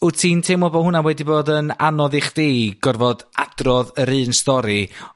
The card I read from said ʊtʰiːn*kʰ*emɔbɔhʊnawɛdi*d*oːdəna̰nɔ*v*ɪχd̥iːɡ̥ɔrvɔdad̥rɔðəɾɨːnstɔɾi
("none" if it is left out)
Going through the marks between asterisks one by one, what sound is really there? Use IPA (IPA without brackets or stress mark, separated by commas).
tʰ, b, ð